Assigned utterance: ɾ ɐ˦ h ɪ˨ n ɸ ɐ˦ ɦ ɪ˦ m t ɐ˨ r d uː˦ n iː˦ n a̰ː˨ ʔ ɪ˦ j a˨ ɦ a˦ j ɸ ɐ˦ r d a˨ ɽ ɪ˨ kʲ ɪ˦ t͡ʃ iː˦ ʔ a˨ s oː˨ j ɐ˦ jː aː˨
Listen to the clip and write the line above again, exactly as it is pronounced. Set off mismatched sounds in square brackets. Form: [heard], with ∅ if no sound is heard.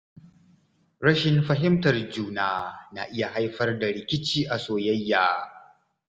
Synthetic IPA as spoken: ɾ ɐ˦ [ʃ] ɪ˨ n ɸ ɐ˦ ɦ ɪ˦ m t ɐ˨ r [d͡ʒ] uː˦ n [aː˦] n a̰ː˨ ʔ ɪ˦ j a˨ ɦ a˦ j ɸ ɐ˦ r d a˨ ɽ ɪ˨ kʲ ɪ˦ t͡ʃ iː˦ ʔ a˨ s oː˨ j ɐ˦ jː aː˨